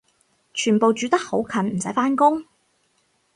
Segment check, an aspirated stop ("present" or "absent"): present